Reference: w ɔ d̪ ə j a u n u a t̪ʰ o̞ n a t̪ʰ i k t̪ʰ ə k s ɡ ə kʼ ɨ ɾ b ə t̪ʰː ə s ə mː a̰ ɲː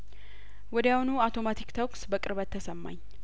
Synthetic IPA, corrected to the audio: w ɔ d̪ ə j a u n u a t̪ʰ o̞ m a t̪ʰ i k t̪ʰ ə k s b ə kʼ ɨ ɾ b ə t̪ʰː ə s ə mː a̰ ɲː